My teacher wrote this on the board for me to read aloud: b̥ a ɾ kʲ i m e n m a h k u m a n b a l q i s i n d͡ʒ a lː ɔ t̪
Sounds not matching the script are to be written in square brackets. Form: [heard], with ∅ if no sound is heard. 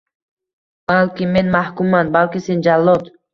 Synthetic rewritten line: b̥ a [l] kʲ i m e n m a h k u m a n b a l [k] i s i n d͡ʒ a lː ɔ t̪